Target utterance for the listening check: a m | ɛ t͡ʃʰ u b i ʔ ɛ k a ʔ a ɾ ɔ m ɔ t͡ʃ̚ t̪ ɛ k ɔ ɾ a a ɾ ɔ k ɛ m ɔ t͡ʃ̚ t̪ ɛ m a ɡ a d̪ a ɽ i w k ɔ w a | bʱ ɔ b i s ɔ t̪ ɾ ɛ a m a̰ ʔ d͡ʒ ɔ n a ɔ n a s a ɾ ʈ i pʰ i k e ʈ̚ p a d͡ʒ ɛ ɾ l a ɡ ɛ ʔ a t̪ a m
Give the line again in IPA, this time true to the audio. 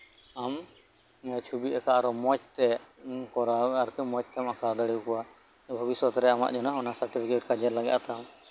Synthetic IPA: a m | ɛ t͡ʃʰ u b i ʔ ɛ k a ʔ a ɾ ɔ m ɔ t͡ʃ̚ t̪ ɛ k ɔ ɾ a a ɾ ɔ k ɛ m ɔ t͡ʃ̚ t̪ ɛ m a k a d̪ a ɽ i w k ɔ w a | bʱ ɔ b i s ɔ t̪ ɾ ɛ a m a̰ ʔ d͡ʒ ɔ n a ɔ n a s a ɾ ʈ i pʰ i k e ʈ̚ k a d͡ʒ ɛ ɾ l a ɡ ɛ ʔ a t̪ a m